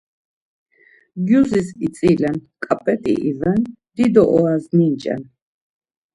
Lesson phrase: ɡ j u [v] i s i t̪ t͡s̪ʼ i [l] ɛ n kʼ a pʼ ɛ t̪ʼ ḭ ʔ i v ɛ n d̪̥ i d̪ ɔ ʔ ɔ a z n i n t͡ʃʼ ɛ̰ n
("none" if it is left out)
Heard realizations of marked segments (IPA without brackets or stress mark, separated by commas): z, l